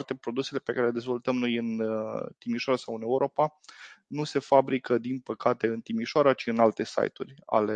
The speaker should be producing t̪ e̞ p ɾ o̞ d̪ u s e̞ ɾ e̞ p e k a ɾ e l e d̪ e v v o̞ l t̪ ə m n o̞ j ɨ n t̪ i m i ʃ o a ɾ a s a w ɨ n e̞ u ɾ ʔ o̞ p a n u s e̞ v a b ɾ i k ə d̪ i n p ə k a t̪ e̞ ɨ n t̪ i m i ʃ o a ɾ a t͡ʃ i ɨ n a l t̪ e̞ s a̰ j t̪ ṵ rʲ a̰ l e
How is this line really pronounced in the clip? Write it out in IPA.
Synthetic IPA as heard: t̪ e̞ p ɾ o̞ d̪ u s e̞ l e̞ p e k a ɾ e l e d̪ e z v o̞ l t̪ ə m n o̞ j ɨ n t̪ i m i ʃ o a ɾ a s a w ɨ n e̞ u ɾ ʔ o̞ p a n u s e̞ f a b ɾ i k ə d̪ i n p ə k a t̪ e̞ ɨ n t̪ i m i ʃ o a ɾ a t͡ʃ i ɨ n a l t̪ e̞ s a̰ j t̪ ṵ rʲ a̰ l e